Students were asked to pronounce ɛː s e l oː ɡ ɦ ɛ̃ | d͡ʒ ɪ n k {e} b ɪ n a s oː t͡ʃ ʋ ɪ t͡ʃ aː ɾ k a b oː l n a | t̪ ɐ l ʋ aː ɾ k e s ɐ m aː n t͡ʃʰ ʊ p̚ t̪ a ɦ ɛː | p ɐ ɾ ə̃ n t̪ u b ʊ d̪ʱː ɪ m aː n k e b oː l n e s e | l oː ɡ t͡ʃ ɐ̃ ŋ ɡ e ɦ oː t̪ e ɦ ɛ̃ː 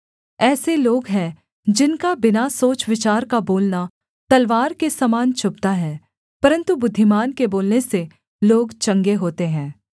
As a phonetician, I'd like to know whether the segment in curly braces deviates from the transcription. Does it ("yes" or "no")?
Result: yes